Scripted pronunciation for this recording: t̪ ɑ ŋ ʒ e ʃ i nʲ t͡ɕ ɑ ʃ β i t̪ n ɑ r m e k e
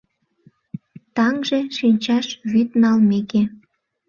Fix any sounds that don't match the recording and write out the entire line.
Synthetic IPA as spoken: t̪ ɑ ŋ ʒ e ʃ i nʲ t͡ɕ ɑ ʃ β y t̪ n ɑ l m e k e